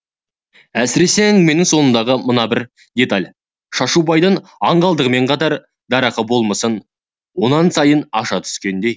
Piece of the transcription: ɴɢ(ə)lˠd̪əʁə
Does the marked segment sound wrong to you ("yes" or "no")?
yes